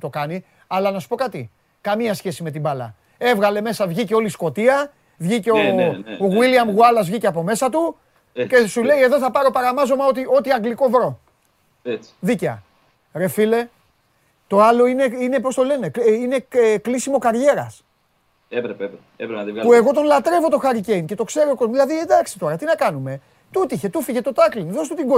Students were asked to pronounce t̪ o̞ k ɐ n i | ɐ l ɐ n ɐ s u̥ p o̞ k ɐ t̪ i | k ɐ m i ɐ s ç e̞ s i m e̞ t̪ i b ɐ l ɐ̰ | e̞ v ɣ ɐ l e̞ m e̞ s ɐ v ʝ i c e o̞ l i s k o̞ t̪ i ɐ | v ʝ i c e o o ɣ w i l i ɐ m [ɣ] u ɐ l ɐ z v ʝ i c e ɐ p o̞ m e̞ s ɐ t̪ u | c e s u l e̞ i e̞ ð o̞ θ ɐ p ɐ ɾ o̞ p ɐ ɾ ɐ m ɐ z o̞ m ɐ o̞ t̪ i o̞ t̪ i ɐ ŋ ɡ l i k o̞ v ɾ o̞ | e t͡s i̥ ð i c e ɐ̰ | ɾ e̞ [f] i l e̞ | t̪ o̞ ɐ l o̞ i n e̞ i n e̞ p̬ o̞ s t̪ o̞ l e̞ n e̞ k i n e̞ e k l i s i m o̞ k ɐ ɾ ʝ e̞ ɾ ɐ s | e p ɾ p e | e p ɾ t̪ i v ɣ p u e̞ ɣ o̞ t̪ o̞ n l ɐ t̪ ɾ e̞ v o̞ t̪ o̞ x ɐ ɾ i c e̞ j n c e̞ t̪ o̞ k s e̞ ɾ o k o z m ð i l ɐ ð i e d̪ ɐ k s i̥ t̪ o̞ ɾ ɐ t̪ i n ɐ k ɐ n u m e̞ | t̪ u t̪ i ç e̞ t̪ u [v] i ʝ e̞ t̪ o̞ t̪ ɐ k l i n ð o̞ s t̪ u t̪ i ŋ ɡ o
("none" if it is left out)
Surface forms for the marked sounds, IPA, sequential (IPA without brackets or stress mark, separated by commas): ɣ, f, f